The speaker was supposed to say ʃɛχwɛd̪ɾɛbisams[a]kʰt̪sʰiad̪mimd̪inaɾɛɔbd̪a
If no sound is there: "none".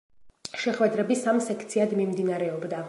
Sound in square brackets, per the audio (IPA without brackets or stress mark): ɛ